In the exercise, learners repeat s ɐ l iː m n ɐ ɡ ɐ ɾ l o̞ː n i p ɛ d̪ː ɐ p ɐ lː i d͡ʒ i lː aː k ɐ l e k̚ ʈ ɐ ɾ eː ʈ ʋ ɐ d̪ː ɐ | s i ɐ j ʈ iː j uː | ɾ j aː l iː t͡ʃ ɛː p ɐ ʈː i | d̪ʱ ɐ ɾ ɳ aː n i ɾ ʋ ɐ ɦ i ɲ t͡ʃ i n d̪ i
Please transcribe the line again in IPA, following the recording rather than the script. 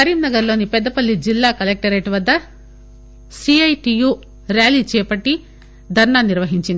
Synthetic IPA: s ɐ ɾ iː m n ɐ ɡ ɐ ɾ l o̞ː n i p ɛ d̪ː ɐ p ɐ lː i d͡ʒ i lː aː k ɐ l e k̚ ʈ ɐ ɾ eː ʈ ʋ ɐ d̪ː ɐ | s i ɐ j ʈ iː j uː | ɾ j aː l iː t͡ʃ ɛː p ɐ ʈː i | d̪ʱ ɐ ɾ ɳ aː n i ɾ ʋ ɐ ɦ i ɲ t͡ʃ i n d̪ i